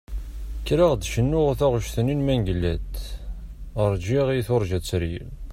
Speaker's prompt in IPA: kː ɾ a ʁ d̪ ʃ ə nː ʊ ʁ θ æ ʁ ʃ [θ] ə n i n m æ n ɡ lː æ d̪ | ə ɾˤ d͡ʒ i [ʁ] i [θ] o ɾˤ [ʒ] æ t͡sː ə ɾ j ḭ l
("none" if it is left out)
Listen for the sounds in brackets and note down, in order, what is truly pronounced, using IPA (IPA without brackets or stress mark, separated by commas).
θ, ʁ, θ, ʒ